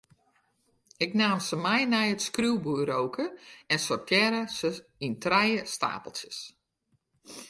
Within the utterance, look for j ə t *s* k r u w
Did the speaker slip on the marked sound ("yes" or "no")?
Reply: no